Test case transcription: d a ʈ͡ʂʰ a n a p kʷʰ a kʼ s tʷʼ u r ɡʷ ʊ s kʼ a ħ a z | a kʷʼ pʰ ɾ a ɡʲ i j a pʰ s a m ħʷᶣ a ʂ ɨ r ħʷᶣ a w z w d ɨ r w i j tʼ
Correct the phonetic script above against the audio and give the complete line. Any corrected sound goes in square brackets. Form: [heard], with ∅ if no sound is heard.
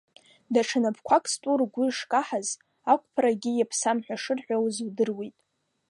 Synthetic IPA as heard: d a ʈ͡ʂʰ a n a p kʷʰ a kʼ s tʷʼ u r ɡʷ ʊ [ʂ] kʼ a ħ a z | a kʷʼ pʰ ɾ a ɡʲ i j a pʰ s a m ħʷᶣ a ʂ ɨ r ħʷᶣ a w z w d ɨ r w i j tʼ